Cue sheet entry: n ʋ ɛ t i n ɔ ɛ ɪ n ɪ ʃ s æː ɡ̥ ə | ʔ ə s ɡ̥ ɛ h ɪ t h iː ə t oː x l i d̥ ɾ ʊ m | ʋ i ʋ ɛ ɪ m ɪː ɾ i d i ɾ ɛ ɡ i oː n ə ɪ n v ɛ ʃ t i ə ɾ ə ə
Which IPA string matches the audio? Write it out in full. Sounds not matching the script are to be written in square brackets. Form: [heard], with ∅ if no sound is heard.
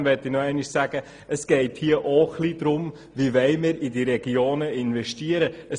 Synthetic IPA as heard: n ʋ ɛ t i n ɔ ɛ ɪ n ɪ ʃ s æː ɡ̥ ə | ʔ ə s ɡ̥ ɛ [∅] ɪ t h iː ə [ʔ] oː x l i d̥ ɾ ʊ m | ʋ i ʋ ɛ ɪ m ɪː ɾ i d i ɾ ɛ ɡ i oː n ə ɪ n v ɛ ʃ t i ə ɾ ə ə